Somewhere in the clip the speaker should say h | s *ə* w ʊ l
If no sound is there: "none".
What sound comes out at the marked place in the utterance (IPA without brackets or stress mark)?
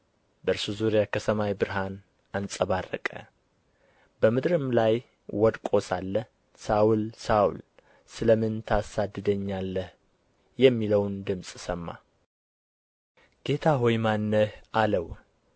a